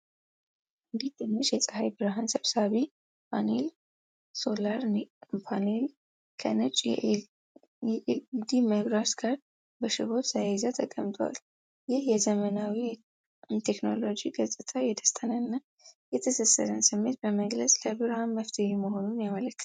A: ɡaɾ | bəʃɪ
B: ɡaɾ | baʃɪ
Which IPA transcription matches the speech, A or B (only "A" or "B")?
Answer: A